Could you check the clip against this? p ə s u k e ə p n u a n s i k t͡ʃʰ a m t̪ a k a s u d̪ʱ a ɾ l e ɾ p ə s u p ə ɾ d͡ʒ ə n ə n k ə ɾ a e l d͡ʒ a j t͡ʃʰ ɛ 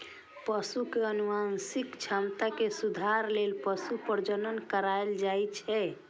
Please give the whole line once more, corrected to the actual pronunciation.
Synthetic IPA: p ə s u k e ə n u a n s i k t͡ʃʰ a m t̪ a k e s u d̪ʱ a ɾ l e l p ə s u p ə ɾ d͡ʒ ə n ə n k ə ɾ a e l d͡ʒ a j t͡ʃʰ ɛ